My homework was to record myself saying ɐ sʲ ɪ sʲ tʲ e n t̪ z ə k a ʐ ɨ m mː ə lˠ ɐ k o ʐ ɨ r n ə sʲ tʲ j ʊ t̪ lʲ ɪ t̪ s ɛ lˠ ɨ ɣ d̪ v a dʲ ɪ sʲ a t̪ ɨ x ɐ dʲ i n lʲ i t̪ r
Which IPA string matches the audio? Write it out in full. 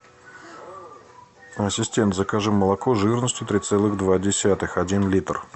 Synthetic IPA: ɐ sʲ ɪ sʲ tʲ e n t̪ z ə k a ʐ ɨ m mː ə lˠ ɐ k o ʐ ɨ r n ə sʲ tʲ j ʊ t̪ ɾʲ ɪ t̪ s ɛ lˠ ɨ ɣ d̪ v a dʲ ɪ sʲ a t̪ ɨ x ɐ dʲ i n lʲ i t̪ r